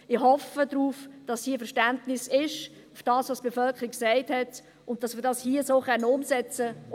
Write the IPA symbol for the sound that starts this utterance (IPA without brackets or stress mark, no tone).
ɪ